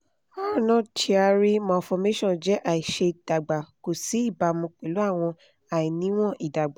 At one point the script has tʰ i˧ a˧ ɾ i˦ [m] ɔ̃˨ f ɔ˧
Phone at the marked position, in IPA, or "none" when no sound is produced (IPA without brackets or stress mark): m